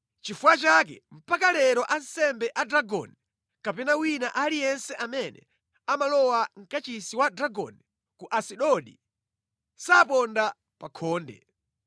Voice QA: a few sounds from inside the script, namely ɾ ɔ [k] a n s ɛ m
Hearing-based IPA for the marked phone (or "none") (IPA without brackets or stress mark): ʔ